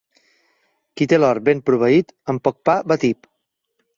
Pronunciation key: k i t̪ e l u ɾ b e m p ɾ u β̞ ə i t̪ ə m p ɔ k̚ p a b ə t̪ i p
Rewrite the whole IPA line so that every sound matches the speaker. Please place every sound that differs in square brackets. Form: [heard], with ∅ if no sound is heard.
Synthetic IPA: k i t̪ e l [ɔ] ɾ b e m p ɾ u β̞ ə i t̪ ə m p ɔ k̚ p a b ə t̪ i p